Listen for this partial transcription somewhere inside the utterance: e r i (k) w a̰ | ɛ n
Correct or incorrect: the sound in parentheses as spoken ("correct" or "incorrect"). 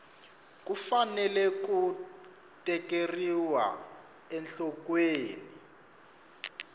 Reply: incorrect